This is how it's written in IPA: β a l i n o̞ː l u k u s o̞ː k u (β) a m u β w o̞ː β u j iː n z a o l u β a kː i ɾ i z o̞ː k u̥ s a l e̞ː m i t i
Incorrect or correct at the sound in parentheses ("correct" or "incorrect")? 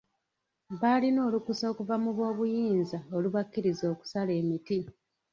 incorrect